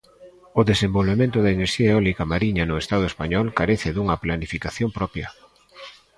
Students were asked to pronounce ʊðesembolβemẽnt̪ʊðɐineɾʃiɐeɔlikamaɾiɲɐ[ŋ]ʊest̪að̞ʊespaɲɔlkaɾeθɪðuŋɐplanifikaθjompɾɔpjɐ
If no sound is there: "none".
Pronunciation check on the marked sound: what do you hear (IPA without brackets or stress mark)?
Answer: n